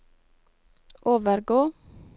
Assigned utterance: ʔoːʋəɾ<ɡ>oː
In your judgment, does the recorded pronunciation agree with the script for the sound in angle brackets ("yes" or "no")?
yes